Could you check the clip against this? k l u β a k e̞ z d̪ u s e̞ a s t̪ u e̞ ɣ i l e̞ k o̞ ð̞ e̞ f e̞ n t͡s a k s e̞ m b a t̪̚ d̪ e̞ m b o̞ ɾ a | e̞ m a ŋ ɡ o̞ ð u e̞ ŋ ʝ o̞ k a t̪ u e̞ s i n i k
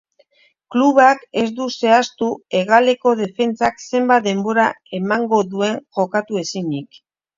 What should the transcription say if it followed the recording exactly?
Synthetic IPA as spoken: k l u β a k e̞ z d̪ u s e̞ a s t̪ u e̞ ɣ a l e̞ k o̞ ð̞ e̞ f e̞ n t͡s a k s e̞ m b a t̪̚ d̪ e̞ m b o̞ ɾ a | e̞ m a ŋ ɡ o̞ ð u e̞ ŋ ʝ o̞ k a t̪ u e̞ s i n i k

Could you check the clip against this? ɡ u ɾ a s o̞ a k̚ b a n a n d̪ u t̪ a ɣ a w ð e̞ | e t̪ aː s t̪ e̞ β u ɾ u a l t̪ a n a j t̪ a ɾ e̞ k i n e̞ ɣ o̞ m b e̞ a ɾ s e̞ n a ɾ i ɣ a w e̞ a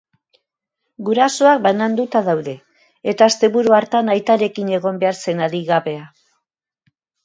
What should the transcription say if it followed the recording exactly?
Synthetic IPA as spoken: ɡ u ɾ a s o̞ a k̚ b a n a n d̪ u t̪ a ð a w ð e̞ | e t̪ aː s t̪ e̞ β u ɾ u a ɾ t̪ a n a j t̪ a ɾ e̞ k i n e̞ ɣ o̞ m b e̞ a ɾ s e̞ n a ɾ i ɣ a β e̞ a

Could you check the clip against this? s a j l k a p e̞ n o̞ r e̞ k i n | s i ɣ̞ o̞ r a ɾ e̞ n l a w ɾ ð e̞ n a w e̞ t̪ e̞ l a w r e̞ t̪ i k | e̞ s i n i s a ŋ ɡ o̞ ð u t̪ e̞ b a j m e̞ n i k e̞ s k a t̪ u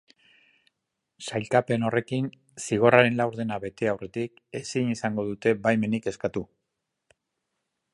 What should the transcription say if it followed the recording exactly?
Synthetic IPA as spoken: s a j l k a p e̞ n o̞ r e̞ k i n | s i ɣ̞ o̞ r a ɾ e̞ n l a w ɾ ð e̞ n a β e̞ t̪ e̞ a w r e̞ t̪ i k | e̞ s i n i s a ŋ ɡ o̞ ð u t̪ e̞ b a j m e̞ n i k e̞ s k a t̪ u

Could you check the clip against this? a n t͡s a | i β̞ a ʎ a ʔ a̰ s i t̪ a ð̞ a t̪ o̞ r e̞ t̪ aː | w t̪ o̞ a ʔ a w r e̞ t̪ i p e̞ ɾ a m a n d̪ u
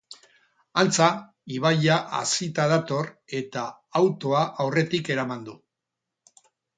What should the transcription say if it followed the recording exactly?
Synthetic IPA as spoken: a n t͡s a | i β̞ a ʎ a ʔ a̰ s i t̪ a ð̞ a t̪ o̞ r e̞ t̪ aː | w t̪ o̞ a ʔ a w r e̞ t̪ i k e̞ ɾ a m a n d̪ u

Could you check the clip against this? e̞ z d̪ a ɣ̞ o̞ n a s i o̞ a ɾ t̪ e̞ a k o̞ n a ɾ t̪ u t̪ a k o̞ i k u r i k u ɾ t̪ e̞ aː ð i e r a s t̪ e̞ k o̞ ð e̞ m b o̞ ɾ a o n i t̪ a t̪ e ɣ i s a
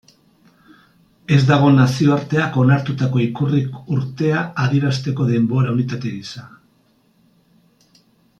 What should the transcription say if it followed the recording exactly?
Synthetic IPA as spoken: e̞ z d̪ a ɣ̞ o̞ n a s i o̞ a ɾ t̪ e̞ a k o̞ n a ɾ t̪ u t̪ a k o̞ i k u r i k u ɾ t̪ e̞ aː ð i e ɾ a s t̪ e̞ k o̞ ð e̞ m b o̞ ɾ a u n i t̪ a t̪ e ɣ i s a

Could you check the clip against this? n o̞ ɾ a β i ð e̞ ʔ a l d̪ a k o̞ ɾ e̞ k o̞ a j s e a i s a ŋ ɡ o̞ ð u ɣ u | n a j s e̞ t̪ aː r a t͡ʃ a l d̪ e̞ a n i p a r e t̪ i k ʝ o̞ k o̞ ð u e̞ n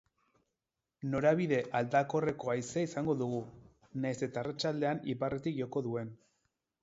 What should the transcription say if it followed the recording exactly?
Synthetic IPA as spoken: n o̞ ɾ a β i ð e̞ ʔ a l d̪ a k o̞ r e̞ k o̞ a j s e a i s a ŋ ɡ o̞ ð u ɣ u | n a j s e̞ t̪ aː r a t͡ʃ a l d̪ e̞ a n i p a r e t̪ i k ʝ o̞ k o̞ ð u e̞ n

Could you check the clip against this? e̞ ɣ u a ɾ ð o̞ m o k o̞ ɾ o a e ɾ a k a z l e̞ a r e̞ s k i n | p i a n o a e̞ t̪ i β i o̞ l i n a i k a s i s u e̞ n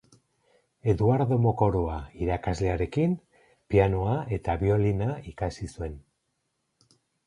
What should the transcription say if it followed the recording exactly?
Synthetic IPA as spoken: e̞ ð u a ɾ ð o̞ m o k o̞ ɾ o a i ɾ a k a z l e̞ a ɾ e̞ k i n | p i a n o a e̞ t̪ a β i o̞ l i n a i k a s i s u e̞ n

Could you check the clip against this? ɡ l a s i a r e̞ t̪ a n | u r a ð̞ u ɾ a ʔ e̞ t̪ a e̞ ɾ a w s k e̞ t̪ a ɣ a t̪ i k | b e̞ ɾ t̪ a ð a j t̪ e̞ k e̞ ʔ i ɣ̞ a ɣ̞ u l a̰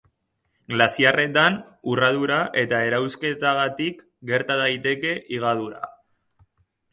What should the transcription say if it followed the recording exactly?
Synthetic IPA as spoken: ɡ l a s i a r e̞ t̪ a n | u r a ð̞ u ɾ a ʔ e̞ t̪ a e̞ ɾ a w s k e̞ t̪ a ɣ a t̪ i k | ɡ e̞ ɾ t̪ a ð a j t̪ e̞ k e̞ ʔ i ɣ̞ a ð̞ u ɾ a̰

